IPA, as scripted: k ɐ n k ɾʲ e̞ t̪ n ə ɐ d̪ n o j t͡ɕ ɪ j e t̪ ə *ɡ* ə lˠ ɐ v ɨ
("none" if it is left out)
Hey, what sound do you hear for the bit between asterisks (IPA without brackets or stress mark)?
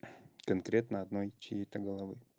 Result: ɡ